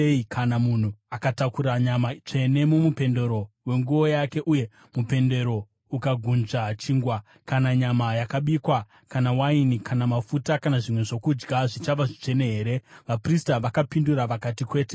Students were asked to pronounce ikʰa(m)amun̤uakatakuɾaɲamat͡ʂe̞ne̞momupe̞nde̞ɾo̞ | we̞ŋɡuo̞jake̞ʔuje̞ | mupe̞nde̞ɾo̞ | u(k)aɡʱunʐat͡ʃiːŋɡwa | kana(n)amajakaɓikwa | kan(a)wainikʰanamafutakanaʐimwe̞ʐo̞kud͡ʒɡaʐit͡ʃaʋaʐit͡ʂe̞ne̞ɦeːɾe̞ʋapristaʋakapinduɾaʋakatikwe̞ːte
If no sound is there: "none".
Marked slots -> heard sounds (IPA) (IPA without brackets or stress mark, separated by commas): n, k, ɲ, a